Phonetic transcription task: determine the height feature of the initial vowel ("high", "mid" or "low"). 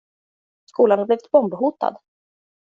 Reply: high